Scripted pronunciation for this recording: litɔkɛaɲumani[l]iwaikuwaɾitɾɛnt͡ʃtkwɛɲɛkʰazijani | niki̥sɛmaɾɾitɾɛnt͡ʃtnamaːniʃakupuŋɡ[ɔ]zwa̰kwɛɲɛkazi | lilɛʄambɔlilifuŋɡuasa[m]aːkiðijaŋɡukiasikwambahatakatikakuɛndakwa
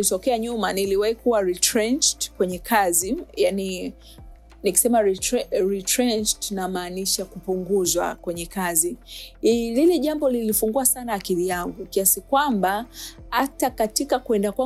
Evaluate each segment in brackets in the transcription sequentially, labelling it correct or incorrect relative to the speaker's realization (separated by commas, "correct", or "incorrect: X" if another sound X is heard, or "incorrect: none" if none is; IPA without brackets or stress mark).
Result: correct, incorrect: u, incorrect: n